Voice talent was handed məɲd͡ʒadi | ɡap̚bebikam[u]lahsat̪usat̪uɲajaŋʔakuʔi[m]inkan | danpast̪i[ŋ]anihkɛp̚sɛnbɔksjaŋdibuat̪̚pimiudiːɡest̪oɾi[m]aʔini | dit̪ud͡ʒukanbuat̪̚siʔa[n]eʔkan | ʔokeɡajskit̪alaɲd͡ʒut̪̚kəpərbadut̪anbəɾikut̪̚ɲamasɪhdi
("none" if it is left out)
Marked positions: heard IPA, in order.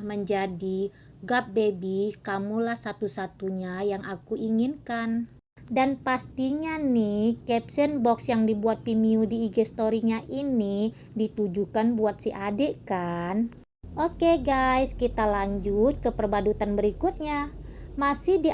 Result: u, ŋ, ɲ, ɲ, d

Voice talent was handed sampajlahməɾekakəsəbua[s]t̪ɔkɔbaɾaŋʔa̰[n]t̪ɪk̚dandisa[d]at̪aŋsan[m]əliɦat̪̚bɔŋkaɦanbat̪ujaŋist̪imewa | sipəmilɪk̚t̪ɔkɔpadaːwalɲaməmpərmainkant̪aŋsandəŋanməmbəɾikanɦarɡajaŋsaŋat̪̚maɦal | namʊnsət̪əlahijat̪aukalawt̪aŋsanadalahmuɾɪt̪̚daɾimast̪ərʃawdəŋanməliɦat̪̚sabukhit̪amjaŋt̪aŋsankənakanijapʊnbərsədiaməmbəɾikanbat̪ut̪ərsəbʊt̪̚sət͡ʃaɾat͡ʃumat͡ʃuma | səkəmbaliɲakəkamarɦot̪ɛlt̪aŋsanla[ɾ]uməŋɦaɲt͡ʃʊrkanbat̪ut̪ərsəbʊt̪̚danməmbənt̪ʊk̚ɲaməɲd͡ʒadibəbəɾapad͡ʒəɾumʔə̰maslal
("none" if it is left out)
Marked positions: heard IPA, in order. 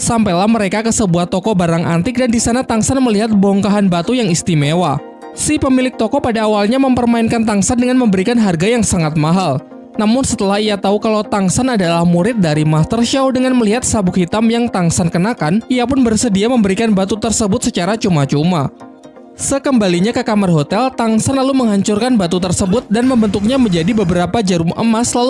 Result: h, n, n, m, l

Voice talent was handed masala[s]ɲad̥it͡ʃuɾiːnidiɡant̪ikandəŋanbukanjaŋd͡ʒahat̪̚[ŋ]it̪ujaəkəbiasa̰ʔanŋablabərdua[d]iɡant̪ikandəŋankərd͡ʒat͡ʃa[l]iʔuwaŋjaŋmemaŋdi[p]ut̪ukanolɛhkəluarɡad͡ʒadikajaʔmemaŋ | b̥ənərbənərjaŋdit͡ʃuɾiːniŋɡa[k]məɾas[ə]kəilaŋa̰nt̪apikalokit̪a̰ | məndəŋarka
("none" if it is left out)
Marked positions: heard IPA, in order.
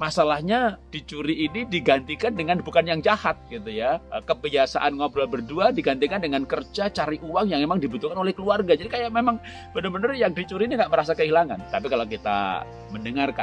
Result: h, ɡ, d, ɾ, b, ʔ, a

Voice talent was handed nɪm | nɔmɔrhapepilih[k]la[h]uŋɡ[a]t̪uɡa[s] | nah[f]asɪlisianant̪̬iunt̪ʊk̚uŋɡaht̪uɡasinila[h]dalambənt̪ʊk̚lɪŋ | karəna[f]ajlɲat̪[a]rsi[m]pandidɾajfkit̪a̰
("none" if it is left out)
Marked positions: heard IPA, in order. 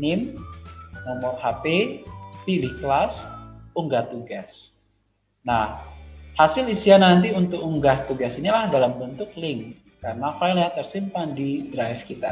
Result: k, s, a, s, h, h, f, ə, m

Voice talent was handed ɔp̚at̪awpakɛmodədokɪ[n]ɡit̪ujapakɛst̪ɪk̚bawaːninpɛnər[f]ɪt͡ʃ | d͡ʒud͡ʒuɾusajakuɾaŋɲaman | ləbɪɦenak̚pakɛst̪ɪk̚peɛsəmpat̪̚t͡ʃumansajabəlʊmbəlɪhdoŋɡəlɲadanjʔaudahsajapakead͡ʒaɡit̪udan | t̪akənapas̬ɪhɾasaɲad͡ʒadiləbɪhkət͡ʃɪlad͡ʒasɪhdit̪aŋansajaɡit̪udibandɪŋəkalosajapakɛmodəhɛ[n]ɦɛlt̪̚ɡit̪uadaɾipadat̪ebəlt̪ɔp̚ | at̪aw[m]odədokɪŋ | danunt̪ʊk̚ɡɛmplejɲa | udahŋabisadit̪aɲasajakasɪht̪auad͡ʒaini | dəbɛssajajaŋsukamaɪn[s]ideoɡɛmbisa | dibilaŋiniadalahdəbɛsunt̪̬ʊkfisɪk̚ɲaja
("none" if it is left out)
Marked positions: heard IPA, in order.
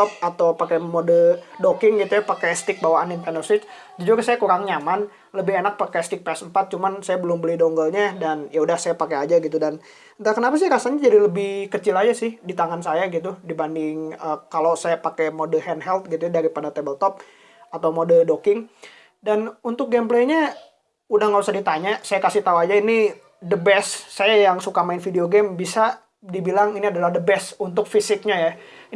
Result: ŋ, s, n, m, f

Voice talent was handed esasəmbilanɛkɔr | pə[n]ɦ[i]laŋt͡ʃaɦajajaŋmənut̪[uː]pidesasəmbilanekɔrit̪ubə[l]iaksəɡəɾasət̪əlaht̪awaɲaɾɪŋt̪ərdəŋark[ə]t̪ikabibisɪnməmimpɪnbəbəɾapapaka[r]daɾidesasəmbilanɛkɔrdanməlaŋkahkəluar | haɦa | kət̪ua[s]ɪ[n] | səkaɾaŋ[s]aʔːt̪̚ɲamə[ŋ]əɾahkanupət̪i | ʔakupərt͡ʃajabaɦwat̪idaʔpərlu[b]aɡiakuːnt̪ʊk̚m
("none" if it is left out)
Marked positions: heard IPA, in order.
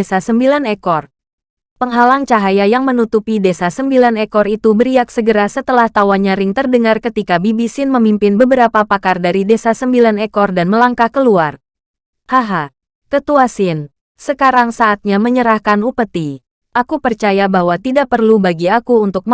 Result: ŋ, a, u, ɾ, ə, r, s, n, s, ɲ, b

